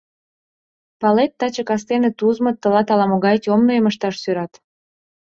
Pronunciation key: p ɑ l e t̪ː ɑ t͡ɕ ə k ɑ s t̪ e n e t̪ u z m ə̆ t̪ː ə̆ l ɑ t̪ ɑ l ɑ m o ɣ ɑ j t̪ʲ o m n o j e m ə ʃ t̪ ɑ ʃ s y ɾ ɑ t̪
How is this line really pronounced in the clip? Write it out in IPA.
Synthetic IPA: p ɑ l e t̪ː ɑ t͡ɕ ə k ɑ s t̪ e n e t̪ u z m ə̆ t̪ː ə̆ l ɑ t̪ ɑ l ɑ m o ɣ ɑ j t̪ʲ o m n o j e m ə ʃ t̪ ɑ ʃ s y ɾ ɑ t̪

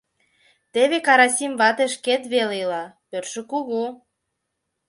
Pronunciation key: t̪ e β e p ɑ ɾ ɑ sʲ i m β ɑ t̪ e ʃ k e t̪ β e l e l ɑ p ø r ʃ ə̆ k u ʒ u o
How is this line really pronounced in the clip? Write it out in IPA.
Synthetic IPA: t̪ e β e k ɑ ɾ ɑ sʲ i m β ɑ t̪ e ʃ k e t̪ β e l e l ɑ p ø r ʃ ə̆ k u ɣ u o

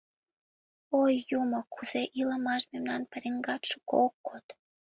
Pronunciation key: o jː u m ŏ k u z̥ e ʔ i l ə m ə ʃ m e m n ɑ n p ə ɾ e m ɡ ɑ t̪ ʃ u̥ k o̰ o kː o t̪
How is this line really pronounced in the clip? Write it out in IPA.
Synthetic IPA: o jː u m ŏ k u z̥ e ʔ i l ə m ɑ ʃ m e m n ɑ n p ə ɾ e ŋ ɡ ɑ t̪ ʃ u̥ k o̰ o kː o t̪

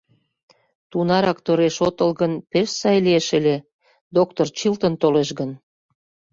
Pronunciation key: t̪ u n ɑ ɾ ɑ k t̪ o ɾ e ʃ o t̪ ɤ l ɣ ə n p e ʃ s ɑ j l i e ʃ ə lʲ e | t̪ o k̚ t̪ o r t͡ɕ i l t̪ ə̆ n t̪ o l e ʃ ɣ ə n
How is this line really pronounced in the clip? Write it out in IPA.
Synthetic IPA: t̪ u n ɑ ɾ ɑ k t̪ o ɾ e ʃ o t̪ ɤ l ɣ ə n p e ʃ s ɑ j l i e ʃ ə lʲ e | d̪ o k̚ t̪ o r t͡ɕ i l t̪ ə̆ n t̪ o l e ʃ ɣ ə n

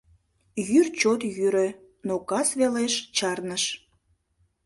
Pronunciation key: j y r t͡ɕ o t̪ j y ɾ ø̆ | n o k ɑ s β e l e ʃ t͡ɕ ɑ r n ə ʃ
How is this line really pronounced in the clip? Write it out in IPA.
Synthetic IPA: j y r t͡ɕ o t̪ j y ɾ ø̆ | n o k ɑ s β e l e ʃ t͡ɕ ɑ r n ə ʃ

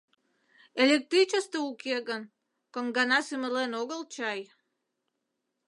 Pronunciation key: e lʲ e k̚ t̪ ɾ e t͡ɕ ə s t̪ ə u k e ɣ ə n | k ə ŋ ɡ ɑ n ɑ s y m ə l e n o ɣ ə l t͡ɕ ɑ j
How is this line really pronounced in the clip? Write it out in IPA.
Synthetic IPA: e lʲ e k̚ t̪ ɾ i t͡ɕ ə s t̪ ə u k e ɣ ə n | k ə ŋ ɡ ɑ n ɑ s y m ə l e n o ɣ ə l t͡ɕ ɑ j

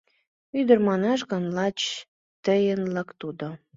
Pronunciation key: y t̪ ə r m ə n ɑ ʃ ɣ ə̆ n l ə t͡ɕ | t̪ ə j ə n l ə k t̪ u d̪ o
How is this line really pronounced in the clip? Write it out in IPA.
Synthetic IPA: y d̪ ə r m ɑ n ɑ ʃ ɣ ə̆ n l ɑ t͡ɕ | t̪ ə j ə n l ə k t̪ u d̪ o

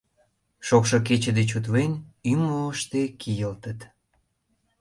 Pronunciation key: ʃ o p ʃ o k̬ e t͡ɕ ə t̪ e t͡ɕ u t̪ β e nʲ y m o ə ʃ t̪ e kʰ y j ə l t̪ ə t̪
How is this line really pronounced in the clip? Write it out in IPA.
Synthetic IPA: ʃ o k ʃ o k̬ e t͡ɕ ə d̪ e t͡ɕ u t̪ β e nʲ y m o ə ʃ t̪ e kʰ i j ə l t̪ ə t̪

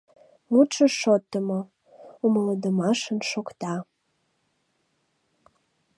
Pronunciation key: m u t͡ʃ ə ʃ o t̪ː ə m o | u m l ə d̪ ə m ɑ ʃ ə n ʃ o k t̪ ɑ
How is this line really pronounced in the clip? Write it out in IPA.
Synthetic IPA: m u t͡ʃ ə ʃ o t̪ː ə m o | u m l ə d̪ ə m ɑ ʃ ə n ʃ o k t̪ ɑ

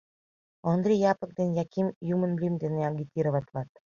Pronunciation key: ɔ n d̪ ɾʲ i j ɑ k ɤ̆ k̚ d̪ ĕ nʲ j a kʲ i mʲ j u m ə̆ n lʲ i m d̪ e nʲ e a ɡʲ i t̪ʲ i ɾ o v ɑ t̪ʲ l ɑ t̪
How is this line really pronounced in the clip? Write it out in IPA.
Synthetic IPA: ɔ n d̪ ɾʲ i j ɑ p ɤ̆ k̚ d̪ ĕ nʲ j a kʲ i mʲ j u m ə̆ n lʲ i m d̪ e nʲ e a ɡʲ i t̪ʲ i ɾ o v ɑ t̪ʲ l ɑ t̪

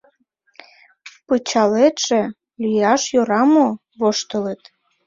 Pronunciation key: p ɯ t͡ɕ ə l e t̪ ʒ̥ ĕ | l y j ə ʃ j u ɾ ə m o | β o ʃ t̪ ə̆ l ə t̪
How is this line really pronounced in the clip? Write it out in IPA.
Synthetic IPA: p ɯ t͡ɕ ɑ l e t̪ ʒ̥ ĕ | l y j ɑ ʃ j o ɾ ɑ m o | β o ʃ t̪ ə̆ l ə t̪

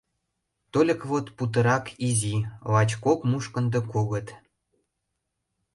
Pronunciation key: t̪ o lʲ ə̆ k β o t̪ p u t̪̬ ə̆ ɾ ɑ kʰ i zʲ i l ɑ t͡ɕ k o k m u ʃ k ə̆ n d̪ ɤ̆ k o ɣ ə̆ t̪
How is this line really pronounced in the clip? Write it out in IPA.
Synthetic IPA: t̪ o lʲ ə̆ k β o t̪ p u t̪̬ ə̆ ɾ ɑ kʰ i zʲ i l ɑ t͡ɕ k o k m u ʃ k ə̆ n d̪ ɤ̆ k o ɣ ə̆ t̪

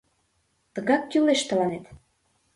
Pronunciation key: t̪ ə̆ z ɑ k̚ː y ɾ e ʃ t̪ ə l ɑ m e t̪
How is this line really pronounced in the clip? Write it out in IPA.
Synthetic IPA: t̪ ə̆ ɣ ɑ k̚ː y l e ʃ t̪ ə l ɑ n e t̪

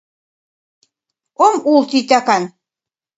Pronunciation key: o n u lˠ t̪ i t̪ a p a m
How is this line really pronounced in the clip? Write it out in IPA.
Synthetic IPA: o m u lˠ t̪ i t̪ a k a n

